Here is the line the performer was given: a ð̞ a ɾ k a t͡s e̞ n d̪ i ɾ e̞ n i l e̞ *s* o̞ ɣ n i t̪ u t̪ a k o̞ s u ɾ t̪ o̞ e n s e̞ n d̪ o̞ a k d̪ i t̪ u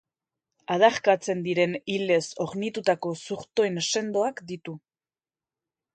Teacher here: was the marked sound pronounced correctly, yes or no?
yes